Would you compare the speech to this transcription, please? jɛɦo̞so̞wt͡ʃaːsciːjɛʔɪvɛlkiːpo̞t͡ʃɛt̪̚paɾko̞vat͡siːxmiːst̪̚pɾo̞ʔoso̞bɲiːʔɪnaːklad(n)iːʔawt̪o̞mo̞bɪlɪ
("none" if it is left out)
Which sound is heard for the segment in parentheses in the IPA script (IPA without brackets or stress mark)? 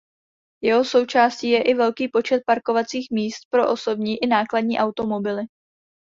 ɲ